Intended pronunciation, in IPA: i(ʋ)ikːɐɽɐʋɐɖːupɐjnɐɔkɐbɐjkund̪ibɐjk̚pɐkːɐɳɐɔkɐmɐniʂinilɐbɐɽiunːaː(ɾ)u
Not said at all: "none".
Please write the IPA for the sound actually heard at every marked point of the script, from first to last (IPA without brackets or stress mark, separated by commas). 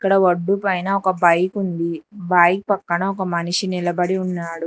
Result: none, ɽ